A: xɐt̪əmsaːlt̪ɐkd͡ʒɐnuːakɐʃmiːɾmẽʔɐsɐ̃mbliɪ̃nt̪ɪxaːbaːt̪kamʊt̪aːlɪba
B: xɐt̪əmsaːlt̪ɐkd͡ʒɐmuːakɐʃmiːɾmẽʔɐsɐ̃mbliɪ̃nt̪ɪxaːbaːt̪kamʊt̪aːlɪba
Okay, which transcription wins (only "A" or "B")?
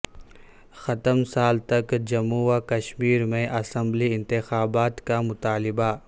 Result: B